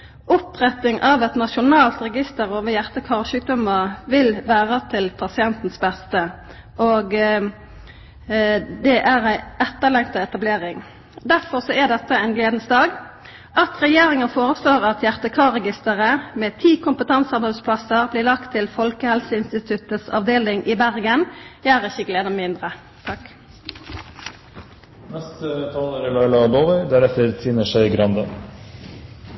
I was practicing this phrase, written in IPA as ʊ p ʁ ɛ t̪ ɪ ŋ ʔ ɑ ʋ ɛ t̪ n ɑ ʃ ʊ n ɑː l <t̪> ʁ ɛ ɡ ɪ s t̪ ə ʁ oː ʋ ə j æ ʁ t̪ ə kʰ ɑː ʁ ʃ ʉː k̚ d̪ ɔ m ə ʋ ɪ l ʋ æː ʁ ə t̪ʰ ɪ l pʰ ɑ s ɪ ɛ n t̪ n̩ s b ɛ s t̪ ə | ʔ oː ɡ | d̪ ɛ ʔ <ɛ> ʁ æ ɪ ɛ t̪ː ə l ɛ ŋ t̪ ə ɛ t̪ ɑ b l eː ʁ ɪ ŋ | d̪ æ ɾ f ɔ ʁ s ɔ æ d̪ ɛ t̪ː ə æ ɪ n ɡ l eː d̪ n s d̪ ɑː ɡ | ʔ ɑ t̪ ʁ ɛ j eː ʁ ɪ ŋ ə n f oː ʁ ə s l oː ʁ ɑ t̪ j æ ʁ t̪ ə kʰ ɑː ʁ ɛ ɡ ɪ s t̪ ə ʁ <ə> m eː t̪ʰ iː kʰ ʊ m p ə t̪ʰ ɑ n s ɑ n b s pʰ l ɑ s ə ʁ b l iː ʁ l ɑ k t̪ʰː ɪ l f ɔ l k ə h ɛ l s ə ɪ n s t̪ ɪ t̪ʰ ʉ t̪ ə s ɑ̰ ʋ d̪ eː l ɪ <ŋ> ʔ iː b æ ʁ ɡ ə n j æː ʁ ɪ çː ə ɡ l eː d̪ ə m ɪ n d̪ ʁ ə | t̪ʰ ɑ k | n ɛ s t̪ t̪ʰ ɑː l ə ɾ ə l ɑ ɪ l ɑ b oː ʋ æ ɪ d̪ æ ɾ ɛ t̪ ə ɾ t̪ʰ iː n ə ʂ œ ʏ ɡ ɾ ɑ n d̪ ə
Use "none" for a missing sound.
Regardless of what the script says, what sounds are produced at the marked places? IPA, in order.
t̪, æ, ə, ŋ

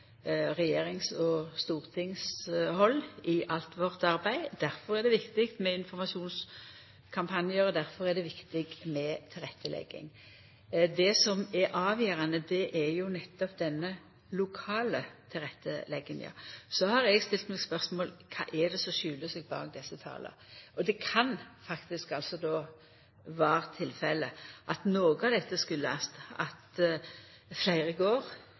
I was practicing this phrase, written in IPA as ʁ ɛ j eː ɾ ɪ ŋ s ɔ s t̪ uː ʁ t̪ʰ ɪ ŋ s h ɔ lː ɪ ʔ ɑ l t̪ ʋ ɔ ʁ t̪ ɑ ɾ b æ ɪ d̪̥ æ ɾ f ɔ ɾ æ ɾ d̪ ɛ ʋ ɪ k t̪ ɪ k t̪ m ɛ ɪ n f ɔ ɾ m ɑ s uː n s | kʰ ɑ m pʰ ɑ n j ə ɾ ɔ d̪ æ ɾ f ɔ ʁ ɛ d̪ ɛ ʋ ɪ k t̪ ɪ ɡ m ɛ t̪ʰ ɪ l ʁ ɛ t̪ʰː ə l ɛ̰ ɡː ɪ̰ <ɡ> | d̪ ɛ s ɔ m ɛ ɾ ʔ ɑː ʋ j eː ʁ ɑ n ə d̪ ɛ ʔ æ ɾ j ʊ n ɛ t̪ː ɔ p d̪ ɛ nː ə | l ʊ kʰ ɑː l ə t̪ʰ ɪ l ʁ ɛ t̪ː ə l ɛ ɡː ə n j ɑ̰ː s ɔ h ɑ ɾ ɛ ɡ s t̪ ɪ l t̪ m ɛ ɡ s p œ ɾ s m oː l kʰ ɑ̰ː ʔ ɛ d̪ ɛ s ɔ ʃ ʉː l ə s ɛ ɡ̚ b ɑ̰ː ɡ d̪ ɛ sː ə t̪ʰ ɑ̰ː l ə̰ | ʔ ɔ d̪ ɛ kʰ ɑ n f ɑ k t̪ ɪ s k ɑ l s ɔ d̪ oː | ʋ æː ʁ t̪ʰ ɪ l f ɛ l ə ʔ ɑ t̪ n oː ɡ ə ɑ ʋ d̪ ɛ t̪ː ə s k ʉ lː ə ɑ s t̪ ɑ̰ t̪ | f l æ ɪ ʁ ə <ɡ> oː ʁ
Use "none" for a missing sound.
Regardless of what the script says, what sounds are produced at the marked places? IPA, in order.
ŋ, ɡ

